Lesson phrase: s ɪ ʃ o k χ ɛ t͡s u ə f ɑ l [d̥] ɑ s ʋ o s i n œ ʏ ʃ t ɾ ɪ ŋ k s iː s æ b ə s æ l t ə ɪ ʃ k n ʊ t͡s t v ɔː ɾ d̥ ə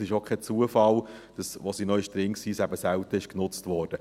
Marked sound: correct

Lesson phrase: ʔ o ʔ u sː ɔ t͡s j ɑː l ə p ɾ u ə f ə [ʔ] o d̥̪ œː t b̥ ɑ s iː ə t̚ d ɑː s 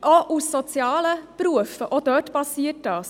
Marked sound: correct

